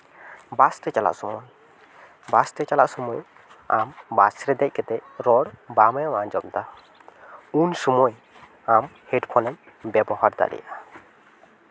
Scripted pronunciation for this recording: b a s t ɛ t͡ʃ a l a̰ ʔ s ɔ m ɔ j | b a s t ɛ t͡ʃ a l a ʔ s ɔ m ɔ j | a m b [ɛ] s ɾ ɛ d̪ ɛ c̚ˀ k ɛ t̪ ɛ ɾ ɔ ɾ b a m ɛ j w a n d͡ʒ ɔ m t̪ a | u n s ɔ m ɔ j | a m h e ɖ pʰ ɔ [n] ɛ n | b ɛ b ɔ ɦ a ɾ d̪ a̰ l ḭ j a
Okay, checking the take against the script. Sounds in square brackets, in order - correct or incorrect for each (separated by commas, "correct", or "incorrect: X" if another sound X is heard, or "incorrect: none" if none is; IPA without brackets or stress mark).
incorrect: a, correct